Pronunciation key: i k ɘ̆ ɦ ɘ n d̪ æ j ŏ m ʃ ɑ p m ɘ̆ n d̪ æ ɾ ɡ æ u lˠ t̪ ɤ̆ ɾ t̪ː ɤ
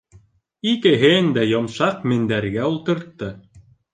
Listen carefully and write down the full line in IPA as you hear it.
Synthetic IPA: i k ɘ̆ ɦ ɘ n d̪ æ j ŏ m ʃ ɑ q m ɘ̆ n d̪ æ ɾ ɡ æ u lˠ t̪ ɤ̆ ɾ t̪ː ɤ